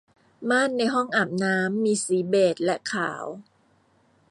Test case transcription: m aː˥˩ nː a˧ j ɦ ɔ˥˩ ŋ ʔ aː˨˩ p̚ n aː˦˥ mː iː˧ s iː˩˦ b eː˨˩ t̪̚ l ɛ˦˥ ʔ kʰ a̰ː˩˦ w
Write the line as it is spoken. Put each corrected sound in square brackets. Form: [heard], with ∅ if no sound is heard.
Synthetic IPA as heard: m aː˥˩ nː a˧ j ɦ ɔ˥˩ ŋ ʔ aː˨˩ p̚ n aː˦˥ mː iː˧ s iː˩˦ b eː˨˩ t̪̚ l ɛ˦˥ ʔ kʰ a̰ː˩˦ w